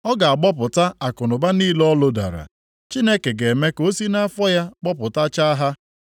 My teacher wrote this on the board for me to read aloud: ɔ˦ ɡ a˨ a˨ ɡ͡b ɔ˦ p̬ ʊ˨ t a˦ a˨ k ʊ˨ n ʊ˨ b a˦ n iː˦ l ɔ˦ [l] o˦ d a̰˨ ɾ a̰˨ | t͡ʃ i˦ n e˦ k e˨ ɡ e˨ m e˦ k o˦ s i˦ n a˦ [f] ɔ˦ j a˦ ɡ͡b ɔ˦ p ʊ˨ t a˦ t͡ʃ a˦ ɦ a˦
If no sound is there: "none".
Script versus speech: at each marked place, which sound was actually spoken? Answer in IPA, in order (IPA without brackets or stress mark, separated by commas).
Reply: l, f